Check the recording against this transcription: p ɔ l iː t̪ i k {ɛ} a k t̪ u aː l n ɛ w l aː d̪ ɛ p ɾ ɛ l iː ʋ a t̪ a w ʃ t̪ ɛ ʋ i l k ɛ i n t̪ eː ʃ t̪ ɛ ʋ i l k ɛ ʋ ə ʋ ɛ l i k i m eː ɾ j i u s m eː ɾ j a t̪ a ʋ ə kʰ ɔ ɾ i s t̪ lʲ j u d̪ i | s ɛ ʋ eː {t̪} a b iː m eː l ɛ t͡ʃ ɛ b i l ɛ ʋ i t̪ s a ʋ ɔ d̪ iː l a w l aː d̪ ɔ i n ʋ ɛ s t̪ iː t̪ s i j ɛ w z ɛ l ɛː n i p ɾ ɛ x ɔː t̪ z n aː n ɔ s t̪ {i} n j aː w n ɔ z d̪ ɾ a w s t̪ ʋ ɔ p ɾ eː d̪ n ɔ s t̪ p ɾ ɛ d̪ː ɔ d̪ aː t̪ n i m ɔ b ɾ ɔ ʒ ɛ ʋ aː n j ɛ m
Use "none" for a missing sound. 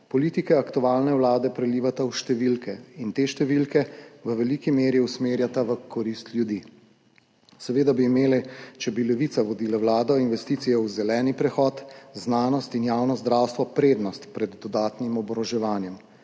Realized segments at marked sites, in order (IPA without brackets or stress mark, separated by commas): ɛ, d̪, i